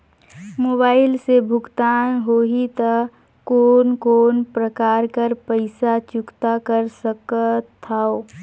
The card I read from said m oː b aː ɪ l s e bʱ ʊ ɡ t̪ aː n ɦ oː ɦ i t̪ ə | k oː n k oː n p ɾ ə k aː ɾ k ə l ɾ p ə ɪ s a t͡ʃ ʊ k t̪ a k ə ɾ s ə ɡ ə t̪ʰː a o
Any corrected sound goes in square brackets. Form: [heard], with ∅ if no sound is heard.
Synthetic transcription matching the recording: m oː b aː ɪ l s e bʱ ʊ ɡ t̪ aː n ɦ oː ɦ i t̪ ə | k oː n k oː n p ɾ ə k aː ɾ k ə [∅] ɾ p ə ɪ s a t͡ʃ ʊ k t̪ a k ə ɾ s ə [k] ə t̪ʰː a o